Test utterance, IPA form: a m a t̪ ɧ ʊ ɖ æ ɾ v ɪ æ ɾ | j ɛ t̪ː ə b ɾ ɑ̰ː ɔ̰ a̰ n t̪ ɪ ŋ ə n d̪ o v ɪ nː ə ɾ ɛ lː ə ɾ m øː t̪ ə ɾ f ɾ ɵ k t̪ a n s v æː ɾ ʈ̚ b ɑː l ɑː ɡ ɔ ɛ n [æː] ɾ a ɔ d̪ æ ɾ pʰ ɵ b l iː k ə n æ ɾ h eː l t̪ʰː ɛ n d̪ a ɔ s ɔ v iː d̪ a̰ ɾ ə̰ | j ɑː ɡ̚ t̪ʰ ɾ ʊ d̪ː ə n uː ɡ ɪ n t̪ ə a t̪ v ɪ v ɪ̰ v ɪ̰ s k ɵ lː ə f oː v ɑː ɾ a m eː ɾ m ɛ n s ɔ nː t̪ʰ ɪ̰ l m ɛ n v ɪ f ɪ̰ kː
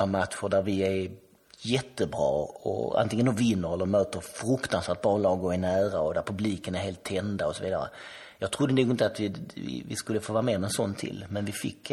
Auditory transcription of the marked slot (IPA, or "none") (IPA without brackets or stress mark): æː